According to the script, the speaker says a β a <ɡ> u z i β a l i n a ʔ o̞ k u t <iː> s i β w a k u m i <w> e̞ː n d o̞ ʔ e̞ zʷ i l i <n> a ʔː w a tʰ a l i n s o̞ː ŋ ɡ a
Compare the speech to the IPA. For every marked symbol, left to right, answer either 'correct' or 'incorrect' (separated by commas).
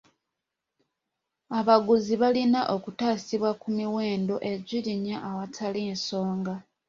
correct, incorrect, correct, incorrect